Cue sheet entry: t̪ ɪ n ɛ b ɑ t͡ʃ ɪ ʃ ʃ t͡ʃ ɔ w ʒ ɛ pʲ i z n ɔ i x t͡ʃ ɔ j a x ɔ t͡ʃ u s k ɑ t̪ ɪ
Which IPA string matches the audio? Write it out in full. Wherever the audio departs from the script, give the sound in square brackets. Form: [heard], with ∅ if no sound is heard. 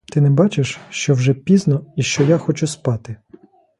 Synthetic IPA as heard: t̪ ɪ n ɛ b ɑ t͡ʃ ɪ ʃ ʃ t͡ʃ ɔ w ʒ ɛ pʲ i z n ɔ i [ʃ] t͡ʃ ɔ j a x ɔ t͡ʃ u s [p] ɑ t̪ ɪ